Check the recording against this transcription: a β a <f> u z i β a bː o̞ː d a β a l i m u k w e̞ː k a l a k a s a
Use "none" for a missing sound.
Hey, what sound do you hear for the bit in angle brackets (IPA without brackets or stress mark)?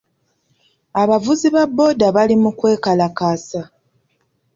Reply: v